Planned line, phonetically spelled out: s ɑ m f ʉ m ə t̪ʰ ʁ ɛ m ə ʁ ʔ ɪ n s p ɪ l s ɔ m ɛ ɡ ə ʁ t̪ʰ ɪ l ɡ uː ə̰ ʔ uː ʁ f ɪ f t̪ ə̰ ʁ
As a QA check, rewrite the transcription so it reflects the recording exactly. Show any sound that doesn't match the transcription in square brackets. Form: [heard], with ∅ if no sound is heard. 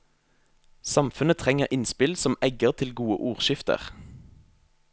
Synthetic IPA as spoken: s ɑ m f ʉ [n] ə t̪ʰ ʁ ɛ [ŋ] ə ʁ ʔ ɪ n s p ɪ l s ɔ m ɛ ɡ ə ʁ t̪ʰ ɪ l ɡ uː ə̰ ʔ uː ʁ [ʃ] ɪ f t̪ ə̰ ʁ